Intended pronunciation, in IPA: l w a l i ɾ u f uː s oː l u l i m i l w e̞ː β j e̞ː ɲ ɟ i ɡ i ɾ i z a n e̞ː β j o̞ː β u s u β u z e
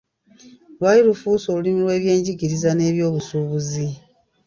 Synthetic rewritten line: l w a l i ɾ u f uː s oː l u l i m i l w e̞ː β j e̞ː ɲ ɟ i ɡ i ɾ i z a n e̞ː β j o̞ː β u s u β u z i